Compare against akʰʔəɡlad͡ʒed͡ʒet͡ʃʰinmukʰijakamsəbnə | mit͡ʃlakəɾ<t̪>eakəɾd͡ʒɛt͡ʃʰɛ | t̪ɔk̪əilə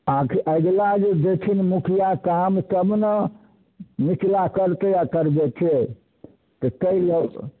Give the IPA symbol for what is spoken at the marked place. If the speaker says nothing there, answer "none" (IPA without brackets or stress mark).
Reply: t̪